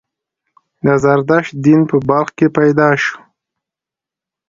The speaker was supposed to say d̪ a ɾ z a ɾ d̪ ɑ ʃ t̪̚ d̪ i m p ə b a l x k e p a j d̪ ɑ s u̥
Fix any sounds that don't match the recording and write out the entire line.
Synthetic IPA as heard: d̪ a z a ɾ d̪ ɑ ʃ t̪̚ d̪ i n p ə b a l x k e p a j d̪ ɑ ʃ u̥